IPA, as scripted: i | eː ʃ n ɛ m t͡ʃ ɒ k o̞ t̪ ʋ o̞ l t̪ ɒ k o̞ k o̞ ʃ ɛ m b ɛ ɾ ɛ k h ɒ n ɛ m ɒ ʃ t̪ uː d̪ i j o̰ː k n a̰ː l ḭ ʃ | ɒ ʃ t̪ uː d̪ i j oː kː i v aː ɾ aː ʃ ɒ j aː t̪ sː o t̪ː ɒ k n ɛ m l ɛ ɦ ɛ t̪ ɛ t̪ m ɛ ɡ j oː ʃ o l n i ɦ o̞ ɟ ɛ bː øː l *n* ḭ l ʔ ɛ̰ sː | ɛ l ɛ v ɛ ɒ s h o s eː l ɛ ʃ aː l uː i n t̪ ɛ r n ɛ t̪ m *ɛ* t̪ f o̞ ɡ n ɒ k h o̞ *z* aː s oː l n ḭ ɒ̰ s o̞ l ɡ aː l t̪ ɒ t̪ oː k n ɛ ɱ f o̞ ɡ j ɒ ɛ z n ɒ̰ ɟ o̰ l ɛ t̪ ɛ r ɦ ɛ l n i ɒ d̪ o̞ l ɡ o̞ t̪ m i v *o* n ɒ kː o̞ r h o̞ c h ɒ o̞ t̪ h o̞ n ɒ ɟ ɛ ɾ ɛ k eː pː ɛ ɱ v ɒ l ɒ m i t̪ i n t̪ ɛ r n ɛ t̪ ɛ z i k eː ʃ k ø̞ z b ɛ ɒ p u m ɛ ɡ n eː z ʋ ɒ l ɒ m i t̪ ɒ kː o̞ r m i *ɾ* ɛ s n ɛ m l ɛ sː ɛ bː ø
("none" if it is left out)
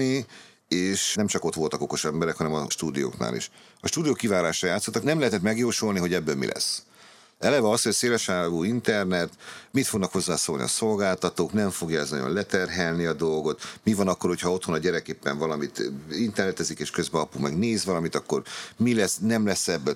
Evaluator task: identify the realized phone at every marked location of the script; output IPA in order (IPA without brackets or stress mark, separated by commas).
m, i, zː, ɒ, l